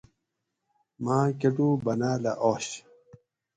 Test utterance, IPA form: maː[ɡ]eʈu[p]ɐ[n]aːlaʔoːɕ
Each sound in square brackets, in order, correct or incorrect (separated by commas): incorrect, incorrect, correct